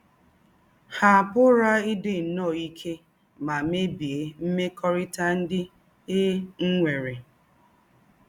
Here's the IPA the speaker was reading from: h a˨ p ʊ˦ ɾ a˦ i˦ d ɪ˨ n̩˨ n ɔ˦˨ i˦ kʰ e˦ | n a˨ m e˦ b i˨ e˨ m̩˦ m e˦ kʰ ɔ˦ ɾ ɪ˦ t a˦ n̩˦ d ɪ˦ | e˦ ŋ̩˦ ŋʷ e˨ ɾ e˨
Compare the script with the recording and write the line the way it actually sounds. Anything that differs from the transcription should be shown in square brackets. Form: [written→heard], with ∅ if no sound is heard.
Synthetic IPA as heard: h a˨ p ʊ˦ ɾ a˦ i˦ d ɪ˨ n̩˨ n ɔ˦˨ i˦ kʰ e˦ | [n→m] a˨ m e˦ b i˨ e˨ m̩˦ m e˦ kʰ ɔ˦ ɾ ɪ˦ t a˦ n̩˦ d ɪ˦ | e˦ ŋ̩˦ ŋʷ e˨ ɾ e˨